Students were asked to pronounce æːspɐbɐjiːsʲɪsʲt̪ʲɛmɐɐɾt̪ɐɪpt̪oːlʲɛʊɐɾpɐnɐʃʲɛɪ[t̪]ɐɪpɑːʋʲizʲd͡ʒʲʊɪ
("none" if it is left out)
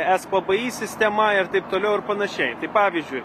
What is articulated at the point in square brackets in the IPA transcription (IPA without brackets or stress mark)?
t̪